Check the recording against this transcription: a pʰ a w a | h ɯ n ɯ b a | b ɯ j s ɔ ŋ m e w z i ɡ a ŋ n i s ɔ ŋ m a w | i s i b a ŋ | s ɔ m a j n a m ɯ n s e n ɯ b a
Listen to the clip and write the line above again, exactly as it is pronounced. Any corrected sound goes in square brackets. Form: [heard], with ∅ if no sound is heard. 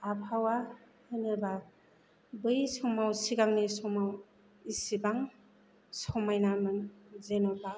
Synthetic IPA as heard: a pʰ a w a | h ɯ n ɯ b a | b ɯ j s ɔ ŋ m [a] w [s] i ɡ a ŋ n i s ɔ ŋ m a w | i s i b a ŋ | s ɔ m a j n a m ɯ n [z] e n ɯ b a

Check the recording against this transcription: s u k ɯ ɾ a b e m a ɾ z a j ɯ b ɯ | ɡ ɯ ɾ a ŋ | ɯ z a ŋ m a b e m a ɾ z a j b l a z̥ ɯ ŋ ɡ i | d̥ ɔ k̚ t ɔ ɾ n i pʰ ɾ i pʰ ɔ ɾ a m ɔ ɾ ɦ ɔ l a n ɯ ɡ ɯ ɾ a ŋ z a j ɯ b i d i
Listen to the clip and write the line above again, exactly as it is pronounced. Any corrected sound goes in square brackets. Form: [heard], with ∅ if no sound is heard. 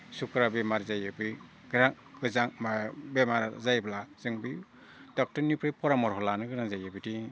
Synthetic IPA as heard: s u k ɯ ɾ a b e m a ɾ z a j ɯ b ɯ | ɡ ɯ ɾ a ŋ | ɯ z a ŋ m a b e m a ɾ z a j b l a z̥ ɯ ŋ [b] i | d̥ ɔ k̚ t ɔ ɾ n i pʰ ɾ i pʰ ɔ ɾ a m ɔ ɾ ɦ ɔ l a n ɯ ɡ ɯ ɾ a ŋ z a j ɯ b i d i

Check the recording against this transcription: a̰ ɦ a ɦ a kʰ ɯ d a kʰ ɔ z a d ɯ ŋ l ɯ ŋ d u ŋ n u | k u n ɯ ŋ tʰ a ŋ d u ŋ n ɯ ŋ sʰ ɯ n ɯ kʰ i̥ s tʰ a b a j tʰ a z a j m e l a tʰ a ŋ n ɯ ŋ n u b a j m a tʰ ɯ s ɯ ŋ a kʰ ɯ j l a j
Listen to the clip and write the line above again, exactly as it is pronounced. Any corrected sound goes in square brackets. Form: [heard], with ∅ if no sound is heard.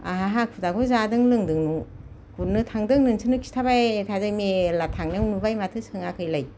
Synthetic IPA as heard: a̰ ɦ a ɦ a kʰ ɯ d a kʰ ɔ z a d ɯ ŋ l ɯ ŋ d [ɯ] ŋ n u | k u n ɯ [∅] tʰ a ŋ d [ɯ] ŋ n ɯ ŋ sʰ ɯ n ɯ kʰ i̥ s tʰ a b a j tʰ a z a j m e l a tʰ a ŋ n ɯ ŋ n u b a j m a tʰ ɯ s ɯ ŋ a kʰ ɯ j l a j

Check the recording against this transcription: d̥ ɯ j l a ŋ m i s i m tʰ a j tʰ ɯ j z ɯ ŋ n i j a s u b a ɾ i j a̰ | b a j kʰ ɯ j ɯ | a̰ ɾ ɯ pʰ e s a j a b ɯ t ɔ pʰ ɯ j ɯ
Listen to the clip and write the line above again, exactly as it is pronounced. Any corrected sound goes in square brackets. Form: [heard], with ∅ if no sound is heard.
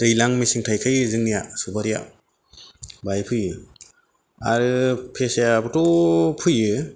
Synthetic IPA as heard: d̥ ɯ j l a ŋ m i s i [ŋ] tʰ a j [kʰ] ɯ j z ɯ ŋ n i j a s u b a ɾ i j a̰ | b a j [pʰ] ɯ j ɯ | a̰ ɾ ɯ pʰ e s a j a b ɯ t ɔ pʰ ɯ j ɯ

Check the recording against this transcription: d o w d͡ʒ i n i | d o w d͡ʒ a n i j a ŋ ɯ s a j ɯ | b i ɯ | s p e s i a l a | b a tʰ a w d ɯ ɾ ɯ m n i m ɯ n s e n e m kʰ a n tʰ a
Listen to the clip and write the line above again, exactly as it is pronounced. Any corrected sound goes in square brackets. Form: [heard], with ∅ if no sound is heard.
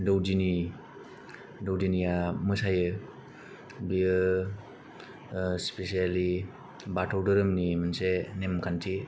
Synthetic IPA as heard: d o w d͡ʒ i n i | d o w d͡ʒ [i] n i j a [m] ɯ s a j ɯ | b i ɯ | s p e s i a l [i] | b a tʰ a w d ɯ ɾ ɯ m n i m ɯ n s e n e m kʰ a n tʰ [i]

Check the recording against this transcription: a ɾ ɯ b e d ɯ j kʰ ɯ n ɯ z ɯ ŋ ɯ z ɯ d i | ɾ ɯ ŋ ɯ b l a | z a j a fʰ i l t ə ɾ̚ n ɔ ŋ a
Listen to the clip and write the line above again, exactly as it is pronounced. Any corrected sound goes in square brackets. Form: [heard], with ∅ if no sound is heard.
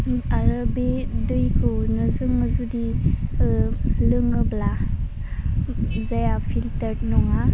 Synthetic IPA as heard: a ɾ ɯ b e d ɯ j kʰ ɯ n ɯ z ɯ ŋ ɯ z [u] d i | [l] ɯ ŋ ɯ b l a | z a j a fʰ i l t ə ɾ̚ n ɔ ŋ a

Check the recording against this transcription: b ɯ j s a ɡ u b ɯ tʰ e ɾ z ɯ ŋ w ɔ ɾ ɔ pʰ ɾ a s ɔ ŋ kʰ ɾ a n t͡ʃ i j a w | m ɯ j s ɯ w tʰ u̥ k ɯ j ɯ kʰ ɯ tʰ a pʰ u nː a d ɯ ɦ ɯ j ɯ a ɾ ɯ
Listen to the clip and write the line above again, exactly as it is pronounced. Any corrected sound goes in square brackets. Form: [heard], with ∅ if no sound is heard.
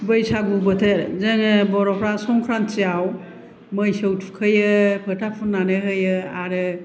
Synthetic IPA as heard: b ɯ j s a ɡ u b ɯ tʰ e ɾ z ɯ ŋ [b] ɔ ɾ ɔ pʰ ɾ a s ɔ ŋ kʰ ɾ a n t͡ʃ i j a w | m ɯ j s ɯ w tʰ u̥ [kʰ] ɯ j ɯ [pʰ] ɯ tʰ a pʰ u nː a [n] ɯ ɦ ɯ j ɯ a ɾ ɯ

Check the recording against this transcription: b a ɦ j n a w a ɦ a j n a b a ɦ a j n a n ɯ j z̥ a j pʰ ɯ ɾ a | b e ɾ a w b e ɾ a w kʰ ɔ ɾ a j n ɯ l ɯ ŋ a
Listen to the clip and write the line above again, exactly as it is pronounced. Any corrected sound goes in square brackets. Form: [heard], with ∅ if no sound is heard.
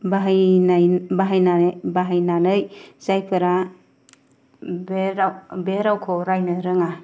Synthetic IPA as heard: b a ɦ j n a [b] a ɦ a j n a b a ɦ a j n a n ɯ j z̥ a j pʰ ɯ ɾ a | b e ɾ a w b e ɾ a w kʰ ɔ ɾ a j n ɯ [ɾ] ɯ ŋ a

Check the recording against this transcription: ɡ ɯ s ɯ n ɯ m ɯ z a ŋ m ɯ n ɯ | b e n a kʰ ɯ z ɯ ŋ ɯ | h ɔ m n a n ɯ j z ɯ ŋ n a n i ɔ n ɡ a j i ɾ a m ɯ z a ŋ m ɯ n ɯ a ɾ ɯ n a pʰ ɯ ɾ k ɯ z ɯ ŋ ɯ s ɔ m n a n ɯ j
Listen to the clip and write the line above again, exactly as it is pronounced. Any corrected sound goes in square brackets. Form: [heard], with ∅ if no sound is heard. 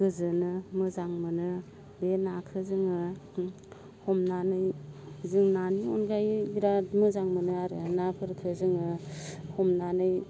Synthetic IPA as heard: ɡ ɯ [z] ɯ n ɯ m ɯ z a ŋ m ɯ n ɯ | b e n a kʰ ɯ z ɯ ŋ ɯ | h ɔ m n a n ɯ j z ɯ ŋ n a n i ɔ n ɡ a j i ɾ a m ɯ z a ŋ m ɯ n ɯ a ɾ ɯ n a pʰ ɯ ɾ [kʰ] ɯ z ɯ ŋ ɯ [h] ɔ m n a n ɯ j

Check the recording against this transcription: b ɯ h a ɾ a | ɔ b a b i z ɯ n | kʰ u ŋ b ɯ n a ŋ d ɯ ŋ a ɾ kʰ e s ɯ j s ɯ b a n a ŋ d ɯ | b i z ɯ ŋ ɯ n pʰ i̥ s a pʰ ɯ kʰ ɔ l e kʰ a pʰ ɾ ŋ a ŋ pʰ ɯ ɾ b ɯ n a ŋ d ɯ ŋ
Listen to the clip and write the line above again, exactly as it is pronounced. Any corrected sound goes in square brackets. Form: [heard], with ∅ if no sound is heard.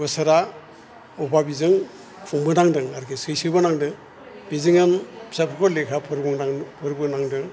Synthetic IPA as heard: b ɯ [s] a ɾ a | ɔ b a b i z ɯ [ŋ] | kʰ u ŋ b ɯ n a ŋ d ɯ ŋ a ɾ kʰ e s ɯ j s ɯ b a n a ŋ d ɯ | b i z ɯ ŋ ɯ n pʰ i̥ s a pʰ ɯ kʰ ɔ l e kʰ a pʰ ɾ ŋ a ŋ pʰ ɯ ɾ b ɯ n a ŋ d ɯ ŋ

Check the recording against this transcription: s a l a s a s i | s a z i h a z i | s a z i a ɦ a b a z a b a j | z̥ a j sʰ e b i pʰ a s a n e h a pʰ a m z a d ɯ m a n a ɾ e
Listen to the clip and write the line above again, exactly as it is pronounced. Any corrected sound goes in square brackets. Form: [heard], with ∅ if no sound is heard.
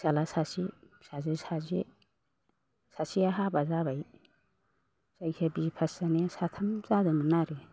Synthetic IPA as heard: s a l a s a s i | s a z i [s] a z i | s a [s] i a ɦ a b a z a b a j | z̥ a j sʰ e b i pʰ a s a n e [s] a [tʰ] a m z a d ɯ m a n a ɾ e

